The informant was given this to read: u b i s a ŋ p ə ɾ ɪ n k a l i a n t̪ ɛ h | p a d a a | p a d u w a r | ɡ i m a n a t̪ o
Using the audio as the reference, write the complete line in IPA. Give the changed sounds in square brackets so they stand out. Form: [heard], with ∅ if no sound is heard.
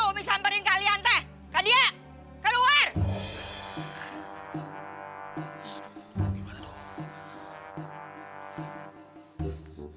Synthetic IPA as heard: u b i s a [m] p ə ɾ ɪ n k a l i a n t̪ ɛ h | [k] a d [i] a | [k] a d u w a r | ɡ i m a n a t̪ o